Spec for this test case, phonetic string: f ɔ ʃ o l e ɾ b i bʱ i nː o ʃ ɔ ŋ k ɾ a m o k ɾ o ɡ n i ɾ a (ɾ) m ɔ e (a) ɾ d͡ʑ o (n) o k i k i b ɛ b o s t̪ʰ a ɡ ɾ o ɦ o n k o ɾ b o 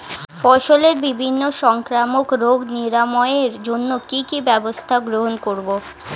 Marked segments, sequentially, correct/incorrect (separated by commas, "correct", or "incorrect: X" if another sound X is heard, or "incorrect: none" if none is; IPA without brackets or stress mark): incorrect: none, incorrect: e, incorrect: nː